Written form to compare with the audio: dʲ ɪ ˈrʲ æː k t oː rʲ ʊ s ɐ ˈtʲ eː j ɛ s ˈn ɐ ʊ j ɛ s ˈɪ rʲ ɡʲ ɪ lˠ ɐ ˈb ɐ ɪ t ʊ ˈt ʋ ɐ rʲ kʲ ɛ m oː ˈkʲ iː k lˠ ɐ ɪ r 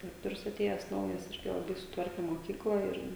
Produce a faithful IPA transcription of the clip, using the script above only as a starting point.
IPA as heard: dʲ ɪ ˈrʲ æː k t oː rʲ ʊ s ɐ ˈtʲ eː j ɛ s ˈn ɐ ʊ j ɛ s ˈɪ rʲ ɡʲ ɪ lˠ ɐ ˈb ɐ ɪ s ʊ ˈt ʋ ɐ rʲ kʲ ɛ m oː ˈkʲ iː k lˠ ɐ ɪ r

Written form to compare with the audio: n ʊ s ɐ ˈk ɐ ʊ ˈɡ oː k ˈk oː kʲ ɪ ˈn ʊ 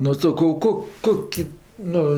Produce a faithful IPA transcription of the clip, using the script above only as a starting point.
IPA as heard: n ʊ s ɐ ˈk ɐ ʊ ˈk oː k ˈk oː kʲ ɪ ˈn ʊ

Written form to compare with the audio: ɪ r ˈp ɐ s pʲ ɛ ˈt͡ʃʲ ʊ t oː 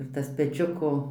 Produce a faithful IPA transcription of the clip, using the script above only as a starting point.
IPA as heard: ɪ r ˈt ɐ s pʲ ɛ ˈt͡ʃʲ ʊ k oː

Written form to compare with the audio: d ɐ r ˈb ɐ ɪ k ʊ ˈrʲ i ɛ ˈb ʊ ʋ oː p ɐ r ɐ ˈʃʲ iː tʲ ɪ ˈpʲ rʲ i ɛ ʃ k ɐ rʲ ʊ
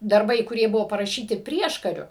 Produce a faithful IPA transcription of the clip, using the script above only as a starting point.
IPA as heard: d ɐ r ˈb ɐ ɪ k ʊ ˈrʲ i ɛ ˈb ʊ ʋ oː p ɐ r ɐ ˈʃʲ iː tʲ ɪ ˈpʲ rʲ i ɛ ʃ k ɐ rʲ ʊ

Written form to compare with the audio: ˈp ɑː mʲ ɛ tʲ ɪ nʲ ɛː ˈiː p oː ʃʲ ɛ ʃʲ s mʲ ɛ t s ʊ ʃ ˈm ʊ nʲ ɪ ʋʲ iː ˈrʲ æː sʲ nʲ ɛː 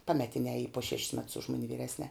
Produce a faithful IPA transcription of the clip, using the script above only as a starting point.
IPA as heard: ˈp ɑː mʲ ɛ tʲ ɪ nʲ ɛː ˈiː p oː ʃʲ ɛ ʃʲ s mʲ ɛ t s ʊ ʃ ˈm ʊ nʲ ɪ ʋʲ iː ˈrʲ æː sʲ nʲ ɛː

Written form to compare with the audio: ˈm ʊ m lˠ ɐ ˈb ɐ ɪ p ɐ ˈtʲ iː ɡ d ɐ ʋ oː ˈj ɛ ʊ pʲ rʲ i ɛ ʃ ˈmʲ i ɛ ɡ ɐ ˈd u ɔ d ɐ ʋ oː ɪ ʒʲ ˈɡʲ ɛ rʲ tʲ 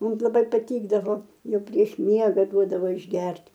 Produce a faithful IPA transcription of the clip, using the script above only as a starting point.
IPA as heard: ˈm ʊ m lˠ ɐ ˈb ɐ ɪ p ɐ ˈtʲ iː ɡ d ɐ ʋ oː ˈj ɛ ʊ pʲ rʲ i ɛ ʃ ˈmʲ i ɛ ɡ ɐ ˈd u ɔ d ɐ ʋ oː ɪ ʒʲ ˈɡʲ ɛ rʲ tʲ

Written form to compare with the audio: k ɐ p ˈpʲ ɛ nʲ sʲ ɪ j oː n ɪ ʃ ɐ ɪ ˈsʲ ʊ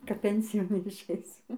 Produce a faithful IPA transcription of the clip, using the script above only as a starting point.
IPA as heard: k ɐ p ˈpʲ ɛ nʲ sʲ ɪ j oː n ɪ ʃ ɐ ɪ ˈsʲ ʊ

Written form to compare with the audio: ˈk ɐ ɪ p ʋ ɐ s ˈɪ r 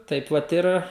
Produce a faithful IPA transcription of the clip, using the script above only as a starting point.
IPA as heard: ˈt ɐ ɪ p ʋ ɐ t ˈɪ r

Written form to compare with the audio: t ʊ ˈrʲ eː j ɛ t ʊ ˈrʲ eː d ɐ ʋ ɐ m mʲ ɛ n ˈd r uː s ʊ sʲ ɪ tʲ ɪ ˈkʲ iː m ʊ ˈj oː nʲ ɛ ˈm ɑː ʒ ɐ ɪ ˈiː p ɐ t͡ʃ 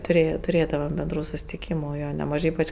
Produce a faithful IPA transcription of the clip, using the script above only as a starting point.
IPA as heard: t ʊ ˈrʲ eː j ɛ t ʊ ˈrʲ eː d ɐ ʋ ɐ m bʲ ɛ n ˈd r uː s ʊ sʲ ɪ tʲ ɪ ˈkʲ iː m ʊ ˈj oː nʲ ɛ ˈm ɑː ʒ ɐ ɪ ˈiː p ɐ t͡ʃ

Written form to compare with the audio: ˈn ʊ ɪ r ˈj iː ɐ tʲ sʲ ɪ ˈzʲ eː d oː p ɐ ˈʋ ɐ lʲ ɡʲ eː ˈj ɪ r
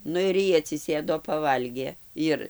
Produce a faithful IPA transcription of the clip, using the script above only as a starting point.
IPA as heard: ˈn ʊ ɪ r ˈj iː ɐ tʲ sʲ ɪ ˈsʲ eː d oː p ɐ ˈʋ ɐ lʲ ɡʲ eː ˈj ɪ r

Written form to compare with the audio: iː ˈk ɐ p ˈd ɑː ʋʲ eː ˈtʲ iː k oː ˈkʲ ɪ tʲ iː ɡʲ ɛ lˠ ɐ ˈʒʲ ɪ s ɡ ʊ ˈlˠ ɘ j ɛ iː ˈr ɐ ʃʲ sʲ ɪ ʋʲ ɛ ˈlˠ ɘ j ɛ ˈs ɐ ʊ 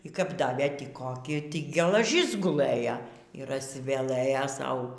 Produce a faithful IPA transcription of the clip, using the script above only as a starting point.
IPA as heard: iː ˈk ɐ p ˈd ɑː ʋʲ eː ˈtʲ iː k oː ˈkʲ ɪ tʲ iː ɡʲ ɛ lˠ ɐ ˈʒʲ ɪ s ɡ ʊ ˈlˠ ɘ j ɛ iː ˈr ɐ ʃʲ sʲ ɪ ʋʲ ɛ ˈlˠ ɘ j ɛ ˈs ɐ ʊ

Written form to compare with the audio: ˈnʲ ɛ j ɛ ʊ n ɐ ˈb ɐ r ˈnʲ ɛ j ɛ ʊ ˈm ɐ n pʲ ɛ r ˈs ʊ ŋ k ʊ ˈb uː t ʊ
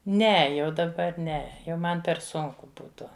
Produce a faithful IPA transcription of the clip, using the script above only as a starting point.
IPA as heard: ˈnʲ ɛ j ɛ ʊ d ɐ ˈb ɐ r ˈnʲ ɛ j ɛ ʊ ˈm ɐ n pʲ ɛ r ˈs ʊ ŋ k ʊ ˈb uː t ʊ

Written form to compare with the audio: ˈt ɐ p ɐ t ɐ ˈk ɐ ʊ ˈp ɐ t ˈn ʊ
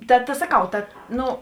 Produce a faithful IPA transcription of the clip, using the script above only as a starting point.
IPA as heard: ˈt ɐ t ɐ s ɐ ˈk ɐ ʊ ˈt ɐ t ˈn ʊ

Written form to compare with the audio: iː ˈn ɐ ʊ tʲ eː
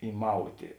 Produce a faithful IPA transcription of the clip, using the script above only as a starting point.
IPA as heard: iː ˈm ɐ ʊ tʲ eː

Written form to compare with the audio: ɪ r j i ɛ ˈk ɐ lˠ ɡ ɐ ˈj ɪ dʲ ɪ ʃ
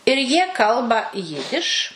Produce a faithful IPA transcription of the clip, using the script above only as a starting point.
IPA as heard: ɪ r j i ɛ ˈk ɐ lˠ b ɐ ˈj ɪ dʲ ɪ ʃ

